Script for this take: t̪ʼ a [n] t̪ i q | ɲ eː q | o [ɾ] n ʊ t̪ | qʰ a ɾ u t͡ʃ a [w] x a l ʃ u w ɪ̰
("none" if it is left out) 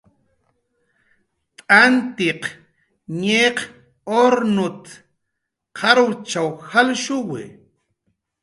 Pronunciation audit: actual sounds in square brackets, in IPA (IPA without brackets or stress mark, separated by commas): n, ɾ, w